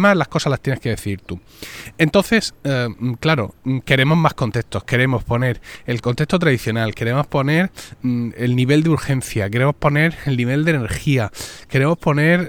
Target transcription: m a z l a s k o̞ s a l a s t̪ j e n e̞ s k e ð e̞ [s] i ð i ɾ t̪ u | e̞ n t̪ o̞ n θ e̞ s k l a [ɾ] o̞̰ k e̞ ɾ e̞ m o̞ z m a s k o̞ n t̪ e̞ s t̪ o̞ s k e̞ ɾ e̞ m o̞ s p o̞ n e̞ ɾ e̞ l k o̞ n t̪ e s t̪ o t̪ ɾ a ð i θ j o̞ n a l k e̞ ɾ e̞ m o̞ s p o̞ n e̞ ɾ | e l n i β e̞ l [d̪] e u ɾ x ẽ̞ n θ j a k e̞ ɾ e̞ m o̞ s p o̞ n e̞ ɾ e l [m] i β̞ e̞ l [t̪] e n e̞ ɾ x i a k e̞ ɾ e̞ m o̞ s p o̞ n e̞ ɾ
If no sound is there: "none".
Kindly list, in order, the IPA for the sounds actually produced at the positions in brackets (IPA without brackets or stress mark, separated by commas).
θ, ɾ, d̪, n, d̪